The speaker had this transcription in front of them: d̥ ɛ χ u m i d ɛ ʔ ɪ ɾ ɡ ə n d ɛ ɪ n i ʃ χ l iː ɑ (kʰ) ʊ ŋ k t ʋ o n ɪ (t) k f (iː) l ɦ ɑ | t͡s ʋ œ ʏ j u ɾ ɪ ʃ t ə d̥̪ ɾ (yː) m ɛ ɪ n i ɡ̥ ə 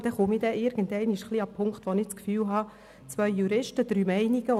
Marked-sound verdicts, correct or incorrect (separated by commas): incorrect, incorrect, incorrect, correct